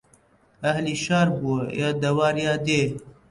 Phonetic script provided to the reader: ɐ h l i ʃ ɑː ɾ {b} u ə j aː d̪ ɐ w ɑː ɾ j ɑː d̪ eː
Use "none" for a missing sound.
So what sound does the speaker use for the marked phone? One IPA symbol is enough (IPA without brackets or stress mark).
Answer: b